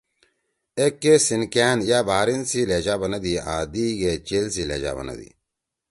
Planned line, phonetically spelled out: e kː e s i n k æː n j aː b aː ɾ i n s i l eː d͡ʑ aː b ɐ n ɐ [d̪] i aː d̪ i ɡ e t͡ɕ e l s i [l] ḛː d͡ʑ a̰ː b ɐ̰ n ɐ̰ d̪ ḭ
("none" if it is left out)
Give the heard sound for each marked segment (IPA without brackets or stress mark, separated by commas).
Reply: d̪, l